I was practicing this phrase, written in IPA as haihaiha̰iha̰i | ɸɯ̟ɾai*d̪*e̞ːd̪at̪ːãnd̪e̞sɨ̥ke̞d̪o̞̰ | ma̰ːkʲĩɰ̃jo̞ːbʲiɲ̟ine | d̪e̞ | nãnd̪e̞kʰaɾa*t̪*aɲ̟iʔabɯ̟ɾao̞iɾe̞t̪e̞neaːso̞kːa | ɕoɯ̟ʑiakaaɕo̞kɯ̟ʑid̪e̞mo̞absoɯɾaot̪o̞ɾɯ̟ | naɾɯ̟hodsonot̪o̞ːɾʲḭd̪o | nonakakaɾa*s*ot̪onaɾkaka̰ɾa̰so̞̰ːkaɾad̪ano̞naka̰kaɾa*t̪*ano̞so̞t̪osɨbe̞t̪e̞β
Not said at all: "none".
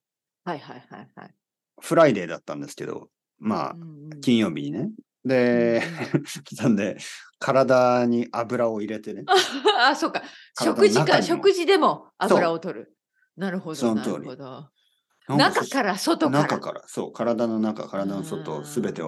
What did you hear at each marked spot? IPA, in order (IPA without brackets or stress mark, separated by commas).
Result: d̪, d̪, s, d̪